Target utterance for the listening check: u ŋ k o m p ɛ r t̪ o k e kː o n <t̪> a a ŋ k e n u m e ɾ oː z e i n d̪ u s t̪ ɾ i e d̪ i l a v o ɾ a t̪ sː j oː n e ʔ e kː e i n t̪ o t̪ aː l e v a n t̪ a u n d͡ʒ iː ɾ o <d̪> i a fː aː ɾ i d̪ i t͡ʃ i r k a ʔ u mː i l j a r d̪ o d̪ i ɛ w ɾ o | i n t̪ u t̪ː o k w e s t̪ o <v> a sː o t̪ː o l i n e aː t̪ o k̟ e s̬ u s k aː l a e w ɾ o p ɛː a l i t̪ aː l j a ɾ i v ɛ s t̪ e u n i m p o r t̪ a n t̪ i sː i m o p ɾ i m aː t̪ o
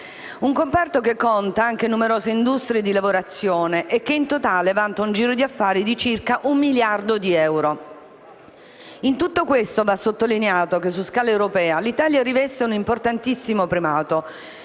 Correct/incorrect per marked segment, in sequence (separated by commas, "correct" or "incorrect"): correct, correct, correct